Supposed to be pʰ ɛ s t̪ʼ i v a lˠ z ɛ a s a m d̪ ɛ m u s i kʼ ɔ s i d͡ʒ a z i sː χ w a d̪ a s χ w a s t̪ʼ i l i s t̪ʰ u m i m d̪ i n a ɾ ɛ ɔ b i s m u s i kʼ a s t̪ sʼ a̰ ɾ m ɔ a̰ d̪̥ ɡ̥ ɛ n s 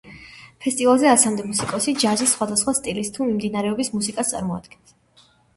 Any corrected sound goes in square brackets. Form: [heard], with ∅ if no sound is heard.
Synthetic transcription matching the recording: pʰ ɛ s t̪ʼ i v a lˠ z ɛ a s a m d̪ ɛ m u s i kʼ ɔ s i d͡ʒ a z i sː χ w a d̪ a s χ w a s t̪ʼ i l i s t̪ʰ u m i m d̪ i n a ɾ ɛ ɔ b i s m u s i kʼ a s t̪ sʼ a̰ ɾ m ɔ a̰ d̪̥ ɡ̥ ɛ n s